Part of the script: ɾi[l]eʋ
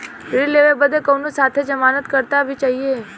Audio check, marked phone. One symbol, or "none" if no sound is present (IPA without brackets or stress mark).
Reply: l